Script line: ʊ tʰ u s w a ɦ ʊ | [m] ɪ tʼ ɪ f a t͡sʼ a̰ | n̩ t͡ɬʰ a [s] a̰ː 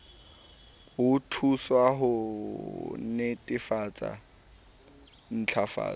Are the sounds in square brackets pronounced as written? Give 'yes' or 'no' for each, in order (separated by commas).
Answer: no, no